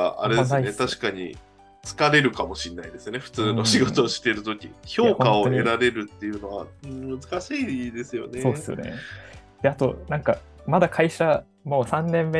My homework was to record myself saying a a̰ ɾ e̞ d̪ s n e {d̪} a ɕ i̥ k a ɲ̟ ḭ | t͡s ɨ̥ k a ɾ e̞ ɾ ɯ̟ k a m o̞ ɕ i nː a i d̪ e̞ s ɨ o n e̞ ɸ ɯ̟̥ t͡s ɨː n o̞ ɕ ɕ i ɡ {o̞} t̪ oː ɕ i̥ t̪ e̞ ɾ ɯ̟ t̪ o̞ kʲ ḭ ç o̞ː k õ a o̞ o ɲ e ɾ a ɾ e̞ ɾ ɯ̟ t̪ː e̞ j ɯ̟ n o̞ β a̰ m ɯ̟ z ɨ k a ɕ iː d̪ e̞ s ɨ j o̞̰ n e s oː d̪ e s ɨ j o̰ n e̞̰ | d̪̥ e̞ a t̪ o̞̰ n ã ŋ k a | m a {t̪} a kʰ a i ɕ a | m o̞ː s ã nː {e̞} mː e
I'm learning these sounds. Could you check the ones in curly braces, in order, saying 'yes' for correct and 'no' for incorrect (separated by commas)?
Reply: no, yes, no, no